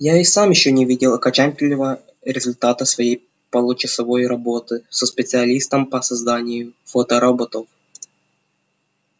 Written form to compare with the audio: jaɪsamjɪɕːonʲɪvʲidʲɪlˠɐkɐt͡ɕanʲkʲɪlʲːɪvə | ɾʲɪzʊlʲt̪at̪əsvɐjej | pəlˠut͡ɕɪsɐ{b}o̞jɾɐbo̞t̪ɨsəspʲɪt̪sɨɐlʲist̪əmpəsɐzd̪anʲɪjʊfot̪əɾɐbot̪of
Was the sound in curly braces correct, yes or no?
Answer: no